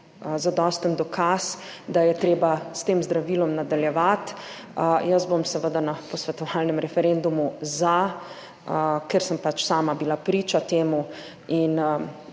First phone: z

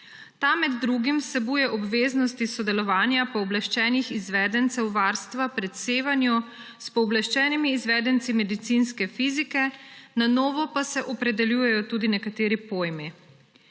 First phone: t̪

